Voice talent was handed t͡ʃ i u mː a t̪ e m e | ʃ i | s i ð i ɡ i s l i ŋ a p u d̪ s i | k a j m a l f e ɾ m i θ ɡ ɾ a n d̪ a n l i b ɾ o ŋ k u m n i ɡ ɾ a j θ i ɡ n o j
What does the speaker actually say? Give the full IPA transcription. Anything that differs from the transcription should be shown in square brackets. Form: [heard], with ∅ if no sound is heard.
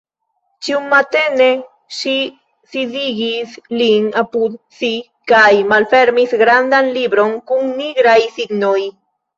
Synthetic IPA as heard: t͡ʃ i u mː a t̪ e [n] e | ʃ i | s i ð i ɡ i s l i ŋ a p u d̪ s i | k a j m a l f e ɾ m i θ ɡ ɾ a n d̪ a n l i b ɾ o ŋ k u [ŋ] n i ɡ ɾ a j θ i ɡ n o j